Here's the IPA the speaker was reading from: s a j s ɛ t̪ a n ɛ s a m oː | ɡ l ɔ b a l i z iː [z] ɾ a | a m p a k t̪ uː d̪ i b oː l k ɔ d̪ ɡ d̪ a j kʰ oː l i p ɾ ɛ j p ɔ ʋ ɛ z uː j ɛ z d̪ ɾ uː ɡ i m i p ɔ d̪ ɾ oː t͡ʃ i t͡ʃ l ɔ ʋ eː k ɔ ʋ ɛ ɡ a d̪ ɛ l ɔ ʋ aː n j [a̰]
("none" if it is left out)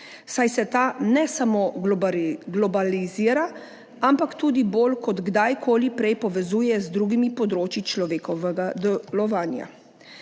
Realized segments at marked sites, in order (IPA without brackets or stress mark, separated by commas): none, a̰